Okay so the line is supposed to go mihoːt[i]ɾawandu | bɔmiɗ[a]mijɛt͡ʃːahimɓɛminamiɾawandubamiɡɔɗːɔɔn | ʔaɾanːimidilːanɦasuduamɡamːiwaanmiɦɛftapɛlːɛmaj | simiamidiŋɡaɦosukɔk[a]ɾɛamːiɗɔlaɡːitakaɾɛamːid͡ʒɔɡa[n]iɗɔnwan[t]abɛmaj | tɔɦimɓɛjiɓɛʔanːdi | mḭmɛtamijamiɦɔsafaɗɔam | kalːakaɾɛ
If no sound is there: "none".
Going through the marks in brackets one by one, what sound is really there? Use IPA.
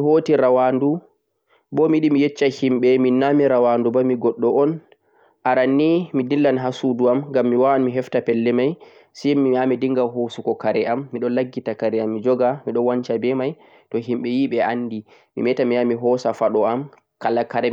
i, i, a, m, t͡ʃ

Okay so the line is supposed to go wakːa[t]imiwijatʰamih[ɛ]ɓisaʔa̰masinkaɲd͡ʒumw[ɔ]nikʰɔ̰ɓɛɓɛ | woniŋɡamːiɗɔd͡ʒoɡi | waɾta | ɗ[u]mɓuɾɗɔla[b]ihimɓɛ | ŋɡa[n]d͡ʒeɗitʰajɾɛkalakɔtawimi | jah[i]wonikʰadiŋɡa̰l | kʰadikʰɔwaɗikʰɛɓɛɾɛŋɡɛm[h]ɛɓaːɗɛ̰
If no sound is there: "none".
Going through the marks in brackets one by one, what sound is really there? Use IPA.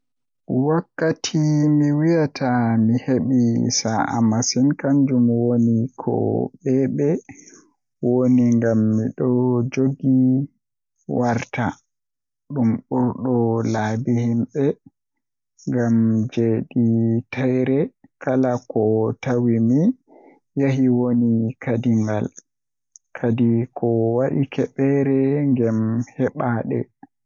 tʰ, e, o, u, b, m, i, h

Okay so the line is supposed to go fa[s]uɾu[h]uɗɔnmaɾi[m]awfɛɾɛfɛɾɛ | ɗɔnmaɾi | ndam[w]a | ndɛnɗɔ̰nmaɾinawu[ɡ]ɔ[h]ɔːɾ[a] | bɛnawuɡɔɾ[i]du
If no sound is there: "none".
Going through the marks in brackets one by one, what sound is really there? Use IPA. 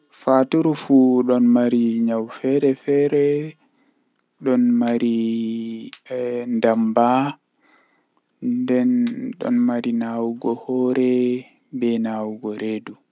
t, f, ɲ, b, ɡ, h, ɛ, e

